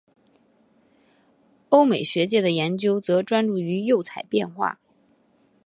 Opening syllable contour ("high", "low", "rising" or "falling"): high